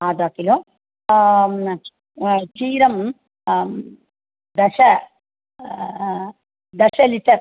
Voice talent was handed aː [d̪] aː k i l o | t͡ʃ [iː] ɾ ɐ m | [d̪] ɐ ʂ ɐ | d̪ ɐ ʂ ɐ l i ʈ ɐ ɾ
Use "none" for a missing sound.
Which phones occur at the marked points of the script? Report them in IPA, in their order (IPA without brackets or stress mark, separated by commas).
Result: d̪, iː, d̪